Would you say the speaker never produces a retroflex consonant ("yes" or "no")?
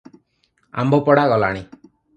no